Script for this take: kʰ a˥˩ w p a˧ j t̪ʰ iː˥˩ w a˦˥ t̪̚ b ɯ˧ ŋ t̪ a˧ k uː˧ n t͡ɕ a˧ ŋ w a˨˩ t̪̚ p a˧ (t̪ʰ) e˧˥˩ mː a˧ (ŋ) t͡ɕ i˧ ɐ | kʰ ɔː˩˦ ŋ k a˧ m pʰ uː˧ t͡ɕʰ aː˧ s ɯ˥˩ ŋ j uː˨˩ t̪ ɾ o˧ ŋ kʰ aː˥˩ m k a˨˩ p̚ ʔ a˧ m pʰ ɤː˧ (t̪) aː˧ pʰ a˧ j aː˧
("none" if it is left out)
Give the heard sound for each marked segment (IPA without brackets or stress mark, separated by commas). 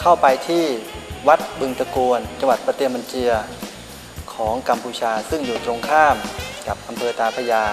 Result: t̪, n, t̪